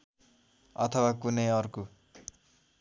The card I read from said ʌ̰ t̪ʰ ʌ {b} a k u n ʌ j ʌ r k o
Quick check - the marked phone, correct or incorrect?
incorrect